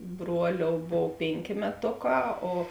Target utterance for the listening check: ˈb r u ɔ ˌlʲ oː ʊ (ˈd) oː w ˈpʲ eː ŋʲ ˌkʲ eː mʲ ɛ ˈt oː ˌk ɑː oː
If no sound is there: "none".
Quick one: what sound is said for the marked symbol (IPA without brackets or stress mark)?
b